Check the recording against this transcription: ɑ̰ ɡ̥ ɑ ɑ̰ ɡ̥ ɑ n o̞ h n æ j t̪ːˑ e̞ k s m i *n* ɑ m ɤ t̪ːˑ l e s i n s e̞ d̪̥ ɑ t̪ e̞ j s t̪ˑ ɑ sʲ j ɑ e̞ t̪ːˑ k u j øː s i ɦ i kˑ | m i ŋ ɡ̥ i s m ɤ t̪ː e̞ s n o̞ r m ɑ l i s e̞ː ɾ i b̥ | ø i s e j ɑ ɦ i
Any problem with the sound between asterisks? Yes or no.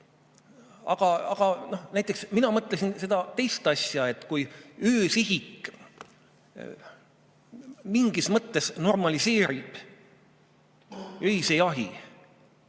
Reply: no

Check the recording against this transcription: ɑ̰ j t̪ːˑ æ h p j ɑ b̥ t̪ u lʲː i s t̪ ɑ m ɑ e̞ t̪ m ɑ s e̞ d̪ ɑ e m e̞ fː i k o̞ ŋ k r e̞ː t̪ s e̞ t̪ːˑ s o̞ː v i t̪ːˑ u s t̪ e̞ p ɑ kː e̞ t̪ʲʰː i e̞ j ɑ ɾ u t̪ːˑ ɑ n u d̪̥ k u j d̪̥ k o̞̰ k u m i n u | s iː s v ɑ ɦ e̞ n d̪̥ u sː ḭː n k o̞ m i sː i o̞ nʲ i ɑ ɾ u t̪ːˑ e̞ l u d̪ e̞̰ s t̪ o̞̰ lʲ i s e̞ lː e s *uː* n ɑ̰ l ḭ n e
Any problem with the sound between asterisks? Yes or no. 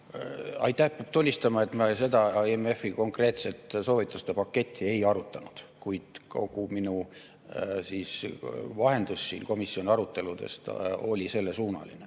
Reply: no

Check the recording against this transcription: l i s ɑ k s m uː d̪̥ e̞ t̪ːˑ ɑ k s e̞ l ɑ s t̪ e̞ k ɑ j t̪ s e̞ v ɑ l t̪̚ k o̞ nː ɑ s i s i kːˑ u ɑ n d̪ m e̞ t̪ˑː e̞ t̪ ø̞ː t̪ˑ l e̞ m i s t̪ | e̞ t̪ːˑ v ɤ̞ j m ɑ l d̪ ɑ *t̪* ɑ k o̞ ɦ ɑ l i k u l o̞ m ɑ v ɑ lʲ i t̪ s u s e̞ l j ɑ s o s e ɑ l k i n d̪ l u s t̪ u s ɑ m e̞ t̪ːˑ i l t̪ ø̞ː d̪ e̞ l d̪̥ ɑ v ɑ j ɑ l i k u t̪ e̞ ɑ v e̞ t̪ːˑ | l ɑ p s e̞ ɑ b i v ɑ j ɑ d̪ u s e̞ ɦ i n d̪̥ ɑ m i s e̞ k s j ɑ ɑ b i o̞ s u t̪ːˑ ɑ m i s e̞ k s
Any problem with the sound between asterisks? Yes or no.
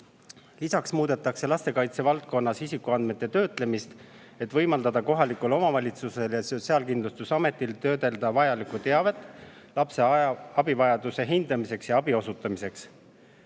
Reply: yes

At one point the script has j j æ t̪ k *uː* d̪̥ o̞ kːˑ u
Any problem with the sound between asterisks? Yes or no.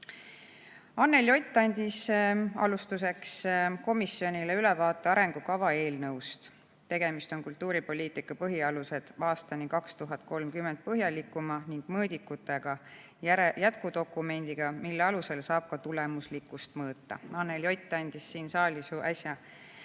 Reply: yes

